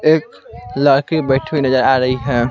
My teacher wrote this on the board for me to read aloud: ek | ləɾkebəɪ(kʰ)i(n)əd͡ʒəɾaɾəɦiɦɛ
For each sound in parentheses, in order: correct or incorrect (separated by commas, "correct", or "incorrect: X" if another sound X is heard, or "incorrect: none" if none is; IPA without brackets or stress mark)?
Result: incorrect: ʈʰ, correct